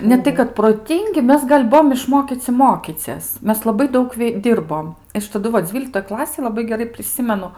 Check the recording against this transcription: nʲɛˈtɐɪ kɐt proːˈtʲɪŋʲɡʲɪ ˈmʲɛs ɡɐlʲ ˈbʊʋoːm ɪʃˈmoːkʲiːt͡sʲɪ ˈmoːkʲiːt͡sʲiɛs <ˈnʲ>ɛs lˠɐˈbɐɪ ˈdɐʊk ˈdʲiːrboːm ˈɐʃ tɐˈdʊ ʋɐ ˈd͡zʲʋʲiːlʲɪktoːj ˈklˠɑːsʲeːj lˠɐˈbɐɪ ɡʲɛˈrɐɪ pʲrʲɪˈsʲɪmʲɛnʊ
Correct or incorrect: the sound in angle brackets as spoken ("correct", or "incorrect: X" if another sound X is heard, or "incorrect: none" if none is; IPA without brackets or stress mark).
incorrect: mʲ